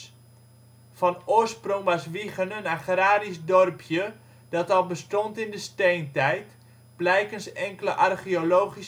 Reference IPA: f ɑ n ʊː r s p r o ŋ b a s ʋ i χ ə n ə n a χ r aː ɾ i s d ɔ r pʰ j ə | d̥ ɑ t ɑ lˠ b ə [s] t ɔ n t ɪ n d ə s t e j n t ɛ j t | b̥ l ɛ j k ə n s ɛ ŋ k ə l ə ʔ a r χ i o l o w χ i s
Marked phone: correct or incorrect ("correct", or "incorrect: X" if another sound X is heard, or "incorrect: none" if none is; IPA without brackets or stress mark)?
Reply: correct